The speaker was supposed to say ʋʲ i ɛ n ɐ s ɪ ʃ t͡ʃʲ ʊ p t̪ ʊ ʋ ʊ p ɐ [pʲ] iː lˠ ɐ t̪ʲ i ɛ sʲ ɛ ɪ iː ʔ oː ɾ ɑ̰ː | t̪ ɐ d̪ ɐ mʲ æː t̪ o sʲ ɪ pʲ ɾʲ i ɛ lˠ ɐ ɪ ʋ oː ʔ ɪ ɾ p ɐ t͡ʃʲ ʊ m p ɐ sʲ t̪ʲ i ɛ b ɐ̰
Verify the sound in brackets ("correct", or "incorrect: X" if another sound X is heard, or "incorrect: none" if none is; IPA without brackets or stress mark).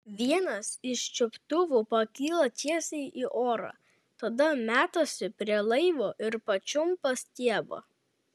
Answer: incorrect: kʲ